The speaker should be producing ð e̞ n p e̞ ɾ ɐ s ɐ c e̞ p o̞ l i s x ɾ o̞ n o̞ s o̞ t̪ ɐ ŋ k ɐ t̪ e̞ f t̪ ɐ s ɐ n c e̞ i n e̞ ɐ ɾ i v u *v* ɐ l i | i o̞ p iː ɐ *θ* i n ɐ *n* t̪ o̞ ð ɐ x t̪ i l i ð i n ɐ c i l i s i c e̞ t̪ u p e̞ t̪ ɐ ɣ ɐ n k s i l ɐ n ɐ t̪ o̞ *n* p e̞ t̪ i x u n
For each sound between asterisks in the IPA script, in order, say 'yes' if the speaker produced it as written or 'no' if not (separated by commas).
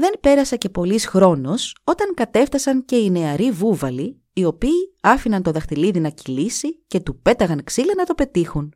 yes, no, yes, no